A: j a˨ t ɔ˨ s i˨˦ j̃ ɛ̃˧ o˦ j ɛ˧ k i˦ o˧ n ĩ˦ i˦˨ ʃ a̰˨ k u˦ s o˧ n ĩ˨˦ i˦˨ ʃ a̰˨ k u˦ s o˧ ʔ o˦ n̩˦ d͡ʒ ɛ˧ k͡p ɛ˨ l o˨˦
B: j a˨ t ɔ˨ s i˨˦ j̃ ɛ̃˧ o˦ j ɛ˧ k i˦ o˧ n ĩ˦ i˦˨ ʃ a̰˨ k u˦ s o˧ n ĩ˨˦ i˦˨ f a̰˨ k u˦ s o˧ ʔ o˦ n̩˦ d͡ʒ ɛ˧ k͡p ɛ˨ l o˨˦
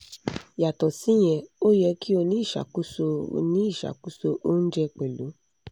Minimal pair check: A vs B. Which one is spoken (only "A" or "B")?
A